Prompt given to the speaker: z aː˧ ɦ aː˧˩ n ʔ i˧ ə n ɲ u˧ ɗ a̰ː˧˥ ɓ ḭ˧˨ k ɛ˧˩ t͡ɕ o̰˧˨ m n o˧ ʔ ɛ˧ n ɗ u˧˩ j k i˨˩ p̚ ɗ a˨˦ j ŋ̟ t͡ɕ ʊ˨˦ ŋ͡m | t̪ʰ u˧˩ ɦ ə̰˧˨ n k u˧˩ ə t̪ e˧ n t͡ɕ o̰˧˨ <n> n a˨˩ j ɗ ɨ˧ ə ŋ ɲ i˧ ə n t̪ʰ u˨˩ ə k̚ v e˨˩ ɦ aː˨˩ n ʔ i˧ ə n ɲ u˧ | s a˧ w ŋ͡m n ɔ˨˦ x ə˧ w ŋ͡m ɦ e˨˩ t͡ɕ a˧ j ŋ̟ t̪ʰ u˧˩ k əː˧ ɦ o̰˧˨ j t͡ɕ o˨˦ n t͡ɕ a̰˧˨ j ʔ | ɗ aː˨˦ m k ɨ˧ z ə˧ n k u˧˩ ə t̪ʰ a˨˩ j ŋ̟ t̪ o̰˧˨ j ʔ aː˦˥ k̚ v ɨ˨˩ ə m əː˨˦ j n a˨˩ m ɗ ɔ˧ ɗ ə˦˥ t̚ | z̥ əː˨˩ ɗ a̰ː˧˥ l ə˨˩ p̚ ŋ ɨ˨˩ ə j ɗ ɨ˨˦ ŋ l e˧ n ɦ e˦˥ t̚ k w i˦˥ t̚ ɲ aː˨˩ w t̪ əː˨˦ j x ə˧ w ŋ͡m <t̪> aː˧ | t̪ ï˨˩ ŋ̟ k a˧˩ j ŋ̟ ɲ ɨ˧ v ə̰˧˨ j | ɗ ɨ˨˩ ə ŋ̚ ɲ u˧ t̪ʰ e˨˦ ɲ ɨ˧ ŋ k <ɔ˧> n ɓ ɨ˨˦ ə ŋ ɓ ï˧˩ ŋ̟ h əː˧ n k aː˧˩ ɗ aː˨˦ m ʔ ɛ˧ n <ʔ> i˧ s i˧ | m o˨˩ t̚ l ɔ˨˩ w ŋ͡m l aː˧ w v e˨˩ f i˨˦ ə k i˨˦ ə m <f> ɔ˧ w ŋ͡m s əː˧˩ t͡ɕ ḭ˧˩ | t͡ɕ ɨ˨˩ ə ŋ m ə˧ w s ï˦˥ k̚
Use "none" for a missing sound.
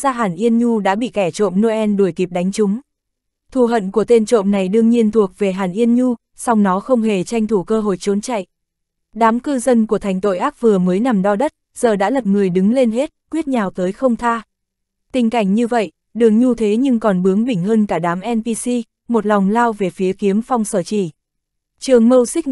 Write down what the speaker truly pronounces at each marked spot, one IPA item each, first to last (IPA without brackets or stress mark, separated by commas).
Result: m, t̪ʰ, ɔ˨˩, p, f